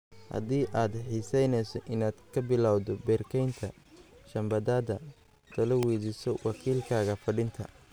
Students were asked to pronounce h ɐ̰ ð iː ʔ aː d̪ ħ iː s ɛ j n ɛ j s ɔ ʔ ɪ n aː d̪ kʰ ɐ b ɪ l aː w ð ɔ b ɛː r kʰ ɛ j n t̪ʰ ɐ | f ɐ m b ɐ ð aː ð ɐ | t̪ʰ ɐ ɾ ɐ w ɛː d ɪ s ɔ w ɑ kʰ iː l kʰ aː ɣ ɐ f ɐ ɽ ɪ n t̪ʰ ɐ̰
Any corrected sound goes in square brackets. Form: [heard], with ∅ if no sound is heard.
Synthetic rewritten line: h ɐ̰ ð iː ʔ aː d̪ ħ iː s ɛ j n ɛ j s ɔ ʔ ɪ n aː d̪ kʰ ɐ b ɪ l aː w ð ɔ b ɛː r kʰ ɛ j n t̪ʰ ɐ | [ʃ] ɐ m b ɐ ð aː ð ɐ | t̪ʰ ɐ [l] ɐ w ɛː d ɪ s ɔ w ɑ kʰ iː l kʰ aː ɣ ɐ f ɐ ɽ ɪ n t̪ʰ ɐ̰

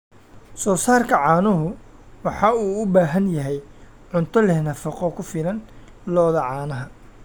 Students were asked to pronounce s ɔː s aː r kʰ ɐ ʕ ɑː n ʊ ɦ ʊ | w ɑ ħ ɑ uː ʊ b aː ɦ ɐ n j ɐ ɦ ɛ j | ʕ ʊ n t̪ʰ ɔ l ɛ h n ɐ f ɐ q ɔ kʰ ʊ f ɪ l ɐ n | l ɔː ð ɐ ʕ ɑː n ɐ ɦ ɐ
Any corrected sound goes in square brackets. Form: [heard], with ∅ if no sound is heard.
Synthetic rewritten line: s ɔː s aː r kʰ ɐ ʕ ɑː n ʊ ɦ ʊ | w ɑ ħ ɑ uː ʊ b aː ɦ ɐ n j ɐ ɦ ɛ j | ʕ ʊ n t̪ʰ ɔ l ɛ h n ɐ f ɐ q ɔ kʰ ʊ f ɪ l ɐ n | l ɔː ð ɐ ʕ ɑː n ɐ ɦ ɐ

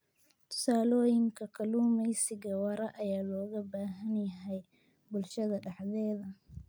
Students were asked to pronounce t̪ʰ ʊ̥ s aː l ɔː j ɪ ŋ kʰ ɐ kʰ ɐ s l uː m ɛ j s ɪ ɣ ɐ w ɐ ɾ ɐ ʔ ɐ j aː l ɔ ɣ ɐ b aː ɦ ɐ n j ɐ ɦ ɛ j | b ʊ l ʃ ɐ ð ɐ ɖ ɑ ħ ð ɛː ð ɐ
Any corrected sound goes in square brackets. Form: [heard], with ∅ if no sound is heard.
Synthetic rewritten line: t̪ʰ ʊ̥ s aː l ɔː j ɪ ŋ kʰ ɐ kʰ ɐ [∅] l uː m ɛ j s ɪ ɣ ɐ w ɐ ɾ ɐ ʔ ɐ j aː l [ɔː] ɣ ɐ b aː ɦ ɐ n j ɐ ɦ ɛ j | b ʊ l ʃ ɐ ð ɐ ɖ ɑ ħ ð ɛː ð ɐ

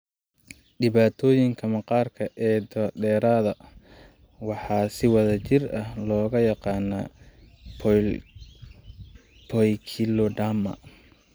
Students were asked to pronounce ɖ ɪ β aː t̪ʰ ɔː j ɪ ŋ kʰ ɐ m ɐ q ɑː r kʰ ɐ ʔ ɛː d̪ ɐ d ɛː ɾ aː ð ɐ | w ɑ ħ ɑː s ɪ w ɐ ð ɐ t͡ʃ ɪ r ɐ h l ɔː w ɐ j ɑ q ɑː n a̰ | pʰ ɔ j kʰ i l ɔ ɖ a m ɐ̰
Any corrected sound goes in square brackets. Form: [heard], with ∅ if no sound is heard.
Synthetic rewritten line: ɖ ɪ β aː t̪ʰ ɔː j ɪ ŋ kʰ ɐ m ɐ q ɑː r kʰ ɐ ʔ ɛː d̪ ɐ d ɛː ɾ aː ð ɐ | w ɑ ħ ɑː s ɪ w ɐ ð ɐ t͡ʃ ɪ r ɐ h l ɔː [ɣ] ɐ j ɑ q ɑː n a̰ | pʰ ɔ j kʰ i l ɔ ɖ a m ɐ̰

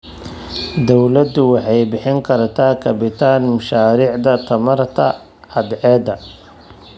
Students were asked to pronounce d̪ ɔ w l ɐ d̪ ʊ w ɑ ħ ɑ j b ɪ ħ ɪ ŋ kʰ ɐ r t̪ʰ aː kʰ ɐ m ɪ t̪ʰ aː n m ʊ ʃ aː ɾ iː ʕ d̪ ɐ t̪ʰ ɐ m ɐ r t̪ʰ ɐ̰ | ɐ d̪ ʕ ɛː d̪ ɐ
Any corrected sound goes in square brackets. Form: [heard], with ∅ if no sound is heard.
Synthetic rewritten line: d̪ ɔ w l ɐ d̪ ʊ w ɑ ħ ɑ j b ɪ ħ ɪ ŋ kʰ ɐ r t̪ʰ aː kʰ ɐ [b] ɪ t̪ʰ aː n m ʊ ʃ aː ɾ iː ʕ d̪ ɐ t̪ʰ ɐ m ɐ r t̪ʰ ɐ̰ | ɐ d̪ ʕ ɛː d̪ ɐ

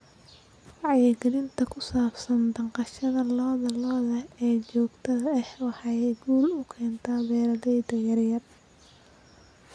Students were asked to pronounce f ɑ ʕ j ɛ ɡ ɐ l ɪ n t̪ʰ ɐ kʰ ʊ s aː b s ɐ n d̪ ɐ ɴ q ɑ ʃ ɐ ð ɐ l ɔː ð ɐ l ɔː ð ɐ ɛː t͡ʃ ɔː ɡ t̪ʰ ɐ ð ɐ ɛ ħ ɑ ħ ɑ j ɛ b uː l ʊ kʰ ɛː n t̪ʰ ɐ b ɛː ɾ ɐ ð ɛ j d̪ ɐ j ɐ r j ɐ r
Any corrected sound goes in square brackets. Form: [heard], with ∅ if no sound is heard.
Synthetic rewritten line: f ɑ ʕ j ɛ ɡ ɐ l ɪ n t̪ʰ ɐ kʰ ʊ s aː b s ɐ n d̪ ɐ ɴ q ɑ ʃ ɐ ð ɐ l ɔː ð ɐ l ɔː ð ɐ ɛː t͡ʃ ɔː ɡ t̪ʰ ɐ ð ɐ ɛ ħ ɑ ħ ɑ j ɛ [ɡ] uː l ʊ kʰ ɛː n t̪ʰ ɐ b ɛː ɾ ɐ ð ɛ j d̪ ɐ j ɐ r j ɐ r

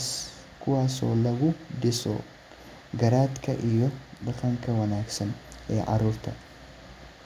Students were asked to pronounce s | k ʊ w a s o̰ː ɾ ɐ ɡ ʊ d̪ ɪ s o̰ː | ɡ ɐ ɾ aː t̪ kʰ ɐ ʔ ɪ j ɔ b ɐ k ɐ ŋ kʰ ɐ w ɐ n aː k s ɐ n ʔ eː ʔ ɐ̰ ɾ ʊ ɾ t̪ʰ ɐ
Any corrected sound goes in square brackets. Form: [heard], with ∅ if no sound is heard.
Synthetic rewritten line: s | k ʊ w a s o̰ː [l] ɐ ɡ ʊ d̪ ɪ s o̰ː | ɡ ɐ ɾ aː t̪ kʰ ɐ ʔ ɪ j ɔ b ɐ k ɐ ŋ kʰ ɐ w ɐ n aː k s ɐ n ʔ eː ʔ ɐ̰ ɾ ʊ ɾ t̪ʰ ɐ

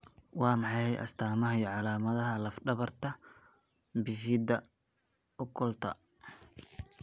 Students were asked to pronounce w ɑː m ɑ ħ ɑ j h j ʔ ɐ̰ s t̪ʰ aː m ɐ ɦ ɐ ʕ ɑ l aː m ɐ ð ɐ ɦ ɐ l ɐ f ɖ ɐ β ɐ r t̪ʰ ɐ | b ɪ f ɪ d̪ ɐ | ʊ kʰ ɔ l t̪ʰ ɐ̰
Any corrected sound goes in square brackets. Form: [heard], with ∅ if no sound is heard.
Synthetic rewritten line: w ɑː m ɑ ħ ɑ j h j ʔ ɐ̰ s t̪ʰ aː m ɐ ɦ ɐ ʕ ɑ l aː m ɐ ð ɐ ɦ ɐ l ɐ f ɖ ɐ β ɐ r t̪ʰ ɐ | b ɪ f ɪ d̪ ɐ | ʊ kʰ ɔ l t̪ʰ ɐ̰

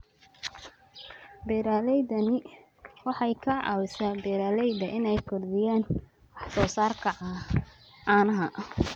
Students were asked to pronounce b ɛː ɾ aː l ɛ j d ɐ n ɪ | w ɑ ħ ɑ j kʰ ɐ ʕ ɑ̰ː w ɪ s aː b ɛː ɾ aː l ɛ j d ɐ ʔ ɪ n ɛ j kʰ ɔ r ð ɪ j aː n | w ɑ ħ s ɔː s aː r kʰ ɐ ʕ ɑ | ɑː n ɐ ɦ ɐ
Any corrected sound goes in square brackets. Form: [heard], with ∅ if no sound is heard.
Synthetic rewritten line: b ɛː ɾ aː l ɛ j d ɐ n ɪ | w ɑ ħ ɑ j kʰ ɐ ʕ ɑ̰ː w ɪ s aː b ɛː ɾ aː l ɛ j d ɐ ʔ ɪ n ɛ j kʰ ɔ r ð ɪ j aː n | w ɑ ħ s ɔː s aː r kʰ ɐ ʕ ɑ | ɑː n ɐ ɦ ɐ

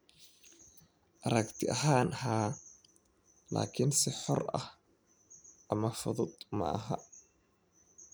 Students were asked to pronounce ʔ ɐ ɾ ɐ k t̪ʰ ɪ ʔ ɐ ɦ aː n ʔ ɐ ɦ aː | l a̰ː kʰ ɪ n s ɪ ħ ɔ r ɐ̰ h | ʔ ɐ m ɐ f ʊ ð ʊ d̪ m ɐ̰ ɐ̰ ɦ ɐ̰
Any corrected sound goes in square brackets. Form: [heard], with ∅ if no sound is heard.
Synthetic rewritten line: ʔ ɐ ɾ ɐ k t̪ʰ ɪ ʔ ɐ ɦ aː n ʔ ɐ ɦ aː | l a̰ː kʰ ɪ n s ɪ ħ ɔ r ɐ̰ h | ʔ ɐ m ɐ f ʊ ð ʊ d̪ m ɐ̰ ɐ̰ ɦ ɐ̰

